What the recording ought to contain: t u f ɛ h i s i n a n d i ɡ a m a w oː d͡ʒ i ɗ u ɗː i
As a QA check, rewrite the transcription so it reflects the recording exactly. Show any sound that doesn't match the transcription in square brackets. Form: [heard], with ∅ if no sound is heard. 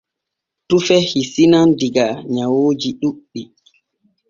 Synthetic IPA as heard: t u f ɛ h i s i n a n d i ɡ a [ɲ] a w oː d͡ʒ i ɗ u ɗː i